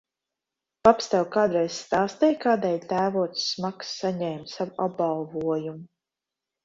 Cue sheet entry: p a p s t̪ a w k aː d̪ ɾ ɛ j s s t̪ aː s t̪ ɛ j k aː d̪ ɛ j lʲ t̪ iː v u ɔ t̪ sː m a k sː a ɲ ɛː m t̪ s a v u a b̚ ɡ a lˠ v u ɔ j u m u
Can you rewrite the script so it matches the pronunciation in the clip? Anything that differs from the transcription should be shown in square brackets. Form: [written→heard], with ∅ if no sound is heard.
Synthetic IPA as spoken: p a p s t̪ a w k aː d̪ ɾ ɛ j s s t̪ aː s t̪ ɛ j k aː d̪ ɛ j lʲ t̪ [iː→æː] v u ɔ t̪ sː m a k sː a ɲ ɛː m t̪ s a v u a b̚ [ɡ→b] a lˠ v u ɔ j u m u

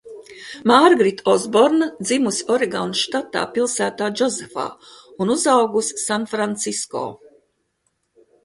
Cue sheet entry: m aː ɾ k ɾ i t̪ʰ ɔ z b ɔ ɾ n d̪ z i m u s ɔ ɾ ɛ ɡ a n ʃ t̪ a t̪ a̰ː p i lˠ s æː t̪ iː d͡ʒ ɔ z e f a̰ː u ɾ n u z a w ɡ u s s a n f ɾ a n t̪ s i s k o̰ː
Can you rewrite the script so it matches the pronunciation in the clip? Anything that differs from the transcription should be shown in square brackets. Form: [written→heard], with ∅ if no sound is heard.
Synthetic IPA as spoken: m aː ɾ [k→ɡ] ɾ i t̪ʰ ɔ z b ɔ ɾ n d̪ z i m u s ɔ ɾ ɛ ɡ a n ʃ t̪ a t̪ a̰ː p i lˠ s æː t̪ [iː→aː] d͡ʒ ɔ z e f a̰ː u [ɾ→∅] n u z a w ɡ u s s a n f ɾ a n t̪ s i s k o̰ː

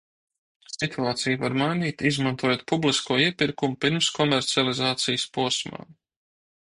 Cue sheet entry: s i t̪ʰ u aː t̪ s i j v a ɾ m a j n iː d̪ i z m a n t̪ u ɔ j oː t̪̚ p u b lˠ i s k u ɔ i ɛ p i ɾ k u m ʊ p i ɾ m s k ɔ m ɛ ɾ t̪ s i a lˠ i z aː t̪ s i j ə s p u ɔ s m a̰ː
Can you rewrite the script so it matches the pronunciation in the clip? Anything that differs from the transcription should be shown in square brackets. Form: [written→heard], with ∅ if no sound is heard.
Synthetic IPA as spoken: s i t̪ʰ u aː t̪ s i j v a ɾ m a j n iː [d̪→t̪] i z m a n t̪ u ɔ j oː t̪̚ p u b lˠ i s k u ɔ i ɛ p i ɾ k u m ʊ p i ɾ m s k ɔ m ɛ ɾ t̪ s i a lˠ i z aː t̪ s i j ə s p u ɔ s m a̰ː

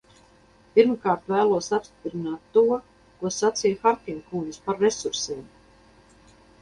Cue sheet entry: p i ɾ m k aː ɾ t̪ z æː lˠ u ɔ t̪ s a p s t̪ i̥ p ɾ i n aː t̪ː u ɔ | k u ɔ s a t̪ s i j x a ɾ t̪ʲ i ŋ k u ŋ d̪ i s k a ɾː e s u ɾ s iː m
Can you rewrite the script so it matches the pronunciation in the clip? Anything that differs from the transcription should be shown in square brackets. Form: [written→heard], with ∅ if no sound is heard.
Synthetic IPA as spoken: p i ɾ m k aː ɾ t̪ [z→v] æː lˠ u ɔ [t̪→∅] s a p s t̪ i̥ p ɾ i n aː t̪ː u ɔ | k u ɔ s a t̪ s i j x a ɾ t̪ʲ i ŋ k u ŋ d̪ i s [k→p] a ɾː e s u ɾ s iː m

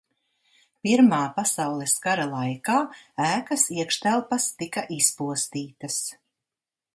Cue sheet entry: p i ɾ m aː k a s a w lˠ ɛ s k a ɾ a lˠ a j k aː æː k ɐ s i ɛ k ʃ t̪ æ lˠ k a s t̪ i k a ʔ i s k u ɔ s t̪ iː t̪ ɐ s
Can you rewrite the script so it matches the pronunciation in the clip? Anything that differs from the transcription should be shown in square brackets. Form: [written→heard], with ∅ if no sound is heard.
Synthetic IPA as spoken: p i ɾ m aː [k→p] a s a w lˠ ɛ s k a ɾ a lˠ a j k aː æː k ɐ s i ɛ k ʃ t̪ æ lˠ [k→p] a s t̪ i k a ʔ i s [k→p] u ɔ s t̪ iː t̪ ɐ s

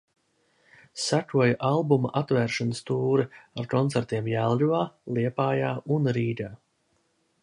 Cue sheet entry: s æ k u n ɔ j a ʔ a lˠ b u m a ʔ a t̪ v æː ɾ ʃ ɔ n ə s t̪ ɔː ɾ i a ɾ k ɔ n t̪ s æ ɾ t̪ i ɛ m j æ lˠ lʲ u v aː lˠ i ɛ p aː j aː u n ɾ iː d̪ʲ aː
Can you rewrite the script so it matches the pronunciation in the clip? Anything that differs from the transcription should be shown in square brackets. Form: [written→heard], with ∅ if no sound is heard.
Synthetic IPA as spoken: s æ k u [n→∅] ɔ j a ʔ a lˠ b u m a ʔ a t̪ v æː ɾ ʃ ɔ n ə s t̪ [ɔː→uː] ɾ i a ɾ k ɔ n t̪ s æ ɾ t̪ i ɛ m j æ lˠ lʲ u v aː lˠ i ɛ p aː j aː u n ɾ iː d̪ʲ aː

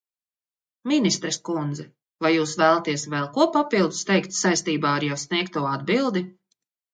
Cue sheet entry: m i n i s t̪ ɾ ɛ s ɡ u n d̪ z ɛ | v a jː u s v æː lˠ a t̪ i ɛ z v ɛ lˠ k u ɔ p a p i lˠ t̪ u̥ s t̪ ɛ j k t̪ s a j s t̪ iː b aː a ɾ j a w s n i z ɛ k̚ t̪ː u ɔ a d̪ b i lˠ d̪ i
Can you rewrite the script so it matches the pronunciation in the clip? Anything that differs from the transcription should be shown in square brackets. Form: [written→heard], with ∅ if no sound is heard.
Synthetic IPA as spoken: m i n i s t̪ ɾ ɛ s [ɡ→k] u n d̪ z ɛ | v a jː [u→uː] s v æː lˠ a t̪ i ɛ [z→s] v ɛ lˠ k u ɔ p a p i lˠ [t̪→d̪] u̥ s t̪ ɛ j k t̪ s a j s t̪ iː b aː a ɾ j a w s n i [z→∅] ɛ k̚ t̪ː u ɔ a d̪ b i lˠ d̪ i

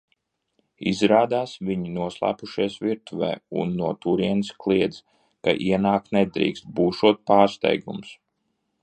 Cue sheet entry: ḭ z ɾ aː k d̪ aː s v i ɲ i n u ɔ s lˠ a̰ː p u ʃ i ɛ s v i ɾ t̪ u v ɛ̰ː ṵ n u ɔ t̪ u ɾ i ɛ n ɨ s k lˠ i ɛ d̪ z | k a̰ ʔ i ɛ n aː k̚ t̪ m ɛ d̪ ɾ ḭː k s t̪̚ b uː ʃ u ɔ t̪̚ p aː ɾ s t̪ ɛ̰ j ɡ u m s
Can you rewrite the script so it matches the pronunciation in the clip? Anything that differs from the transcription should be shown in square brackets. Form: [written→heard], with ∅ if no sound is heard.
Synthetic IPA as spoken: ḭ z ɾ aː [k→∅] d̪ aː s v i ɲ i n u ɔ s lˠ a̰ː p u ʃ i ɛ s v i ɾ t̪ u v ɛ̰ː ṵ [n→nː] u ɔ t̪ u ɾ i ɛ n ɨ s k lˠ i ɛ d̪ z | k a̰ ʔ i ɛ n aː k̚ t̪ [m→n] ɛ d̪ ɾ ḭː k s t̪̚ b uː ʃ u ɔ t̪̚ p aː ɾ s t̪ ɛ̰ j ɡ u m s

